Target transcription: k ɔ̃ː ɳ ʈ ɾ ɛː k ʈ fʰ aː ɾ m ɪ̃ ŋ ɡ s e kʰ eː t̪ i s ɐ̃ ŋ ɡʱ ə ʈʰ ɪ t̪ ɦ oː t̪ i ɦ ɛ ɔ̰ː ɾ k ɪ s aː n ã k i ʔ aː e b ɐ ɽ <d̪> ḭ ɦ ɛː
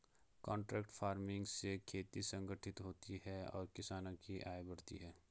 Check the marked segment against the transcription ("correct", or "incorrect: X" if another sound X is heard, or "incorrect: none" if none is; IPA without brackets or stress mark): incorrect: t̪